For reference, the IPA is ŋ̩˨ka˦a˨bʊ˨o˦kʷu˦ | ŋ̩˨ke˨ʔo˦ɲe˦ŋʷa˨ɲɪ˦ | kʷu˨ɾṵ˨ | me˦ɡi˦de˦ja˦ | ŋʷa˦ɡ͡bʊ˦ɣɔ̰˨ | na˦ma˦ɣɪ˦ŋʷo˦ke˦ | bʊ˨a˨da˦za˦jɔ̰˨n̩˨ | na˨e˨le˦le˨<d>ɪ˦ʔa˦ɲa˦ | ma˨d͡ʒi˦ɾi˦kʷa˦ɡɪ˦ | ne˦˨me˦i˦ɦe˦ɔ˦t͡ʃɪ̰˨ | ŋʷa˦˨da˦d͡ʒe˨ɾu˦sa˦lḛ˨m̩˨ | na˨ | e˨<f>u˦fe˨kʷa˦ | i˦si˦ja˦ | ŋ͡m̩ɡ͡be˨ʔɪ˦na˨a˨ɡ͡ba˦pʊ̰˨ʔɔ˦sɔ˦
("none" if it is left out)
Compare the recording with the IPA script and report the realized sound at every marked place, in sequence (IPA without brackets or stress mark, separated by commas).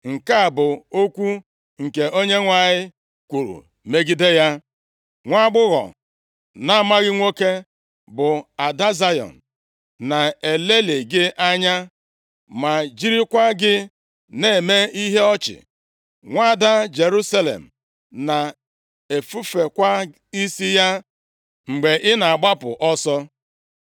ɡ, f